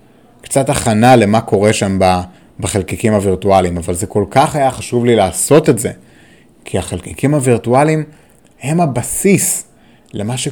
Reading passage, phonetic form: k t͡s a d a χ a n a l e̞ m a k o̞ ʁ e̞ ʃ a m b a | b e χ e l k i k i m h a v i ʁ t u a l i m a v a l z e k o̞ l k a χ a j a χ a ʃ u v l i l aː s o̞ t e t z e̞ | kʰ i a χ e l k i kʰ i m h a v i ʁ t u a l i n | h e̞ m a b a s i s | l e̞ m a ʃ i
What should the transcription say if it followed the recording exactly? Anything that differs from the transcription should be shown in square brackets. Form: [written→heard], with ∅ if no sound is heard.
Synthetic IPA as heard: k t͡s a [d→t] a χ a n a l e̞ m a k o̞ ʁ e̞ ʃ a m b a | b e χ e l k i k i m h a v i ʁ t u a l i m a v a l z e k o̞ l k a χ a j a χ a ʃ u v l i l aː s o̞ t e t z e̞ | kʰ i a χ e l k i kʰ i m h a v i ʁ t u a l i [n→m] | h e̞ m a b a s i s | l e̞ m a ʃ [i→e]